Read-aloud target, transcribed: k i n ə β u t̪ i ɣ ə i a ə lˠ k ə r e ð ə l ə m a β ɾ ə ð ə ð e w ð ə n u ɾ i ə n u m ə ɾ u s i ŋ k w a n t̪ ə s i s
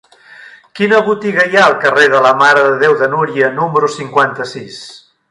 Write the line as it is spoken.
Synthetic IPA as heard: k i n ə β u t̪ i ɣ ə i a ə lˠ k ə r e ð ə l ə m a ɾ ə ð ə ð e w ð ə n u ɾ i ə n u m ə ɾ u s i ŋ k w a n t̪ ə s i s

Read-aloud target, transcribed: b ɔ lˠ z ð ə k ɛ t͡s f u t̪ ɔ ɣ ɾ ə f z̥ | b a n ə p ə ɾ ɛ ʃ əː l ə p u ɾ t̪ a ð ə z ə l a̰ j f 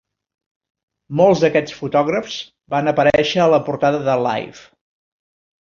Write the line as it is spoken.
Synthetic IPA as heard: m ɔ lˠ z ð ə k ɛ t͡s f u t̪ ɔ ɣ ɾ ə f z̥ | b a n ə p ə ɾ ɛ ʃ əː l ə p u ɾ t̪ a ð ə ð ə l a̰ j f

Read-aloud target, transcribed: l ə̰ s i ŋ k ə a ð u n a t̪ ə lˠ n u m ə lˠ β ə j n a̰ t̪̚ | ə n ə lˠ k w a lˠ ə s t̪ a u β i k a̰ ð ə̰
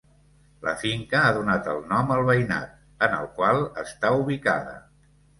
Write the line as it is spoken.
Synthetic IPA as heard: l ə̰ f i ŋ k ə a ð u n a t̪ ə lˠ n ɔ m ə lˠ β ə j n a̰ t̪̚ | ə n ə lˠ k w a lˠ ə s t̪ a u β i k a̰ ð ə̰

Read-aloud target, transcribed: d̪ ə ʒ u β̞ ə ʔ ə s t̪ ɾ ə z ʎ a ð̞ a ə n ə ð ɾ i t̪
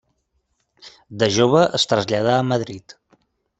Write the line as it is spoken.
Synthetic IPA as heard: d̪ ə ʒ o β̞ ə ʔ ə s t̪ ɾ ə z ʎ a ð̞ a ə m ə ð ɾ i t̪

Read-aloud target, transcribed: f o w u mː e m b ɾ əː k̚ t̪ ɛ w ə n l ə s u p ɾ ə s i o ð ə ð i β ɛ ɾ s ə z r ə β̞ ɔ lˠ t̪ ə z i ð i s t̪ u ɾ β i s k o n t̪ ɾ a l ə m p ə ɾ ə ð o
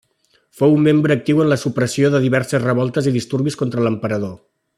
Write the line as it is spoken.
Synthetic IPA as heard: f o w u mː e m b ɾ əː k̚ t̪ i w ə n l ə s u p ɾ ə s i o ð ə ð i β ɛ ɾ s ə z r ə β̞ ɔ lˠ t̪ ə z i ð i s t̪ u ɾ β i s k o n t̪ ɾ ə l ə m p ə ɾ ə ð o

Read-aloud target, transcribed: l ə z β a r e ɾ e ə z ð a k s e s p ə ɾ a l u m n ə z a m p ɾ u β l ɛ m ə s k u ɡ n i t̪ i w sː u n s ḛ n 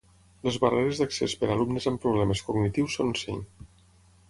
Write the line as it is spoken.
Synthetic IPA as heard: l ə z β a r e ɾ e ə z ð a k s e s p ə ɾ a l u m n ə z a m p ɾ u β l ɛ m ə s k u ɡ n i t̪ i w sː o n s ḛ ɲ

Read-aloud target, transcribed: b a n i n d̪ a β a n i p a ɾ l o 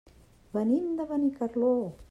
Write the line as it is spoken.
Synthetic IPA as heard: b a n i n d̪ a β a n i k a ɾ l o

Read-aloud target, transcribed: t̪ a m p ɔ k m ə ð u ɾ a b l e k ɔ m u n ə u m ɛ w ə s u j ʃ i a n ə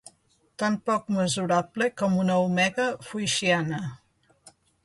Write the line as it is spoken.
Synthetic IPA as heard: t̪ a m p ɔ k m ə z u ɾ a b l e k ɔ m u n ə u m ɛ ɣ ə f u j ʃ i a n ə

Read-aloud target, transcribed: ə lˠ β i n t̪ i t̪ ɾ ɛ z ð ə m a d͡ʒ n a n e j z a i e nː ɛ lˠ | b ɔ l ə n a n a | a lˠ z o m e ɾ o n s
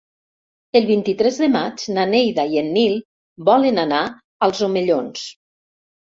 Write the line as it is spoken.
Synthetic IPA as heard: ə lˠ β i n t̪ i t̪ ɾ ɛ z ð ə m a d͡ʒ n a n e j ð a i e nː i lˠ | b ɔ l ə n a n a | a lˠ z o m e ʎ o n s

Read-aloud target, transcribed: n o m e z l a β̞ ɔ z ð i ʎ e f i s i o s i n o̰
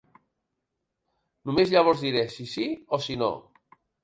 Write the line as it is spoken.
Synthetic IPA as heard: n u m e z ʎ a β̞ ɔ z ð i ɾ e s i s i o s i n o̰

